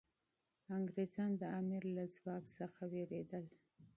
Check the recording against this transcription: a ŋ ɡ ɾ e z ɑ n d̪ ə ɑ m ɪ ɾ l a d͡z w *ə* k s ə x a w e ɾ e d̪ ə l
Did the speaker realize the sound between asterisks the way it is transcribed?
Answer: no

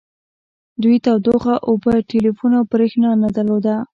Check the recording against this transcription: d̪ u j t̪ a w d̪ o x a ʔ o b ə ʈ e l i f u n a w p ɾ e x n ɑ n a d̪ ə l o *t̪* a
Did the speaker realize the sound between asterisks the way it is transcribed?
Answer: no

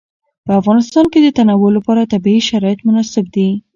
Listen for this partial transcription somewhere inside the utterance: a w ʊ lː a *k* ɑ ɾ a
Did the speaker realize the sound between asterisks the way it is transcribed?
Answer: no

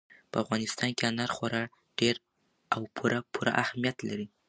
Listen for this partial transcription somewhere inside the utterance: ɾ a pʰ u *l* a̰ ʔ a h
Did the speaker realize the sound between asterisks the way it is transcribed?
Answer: no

